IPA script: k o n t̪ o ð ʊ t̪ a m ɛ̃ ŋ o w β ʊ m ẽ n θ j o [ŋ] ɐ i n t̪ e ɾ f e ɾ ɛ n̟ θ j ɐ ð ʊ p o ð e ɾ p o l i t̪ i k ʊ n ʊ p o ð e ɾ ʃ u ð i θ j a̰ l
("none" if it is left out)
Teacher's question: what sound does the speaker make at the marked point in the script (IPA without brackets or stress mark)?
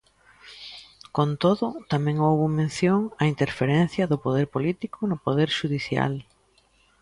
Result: ŋ